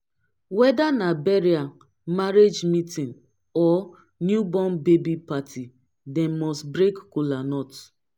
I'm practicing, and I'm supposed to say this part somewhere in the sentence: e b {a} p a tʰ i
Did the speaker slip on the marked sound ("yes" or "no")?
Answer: yes